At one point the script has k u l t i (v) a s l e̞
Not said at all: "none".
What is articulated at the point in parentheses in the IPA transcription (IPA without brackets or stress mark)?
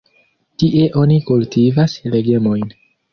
v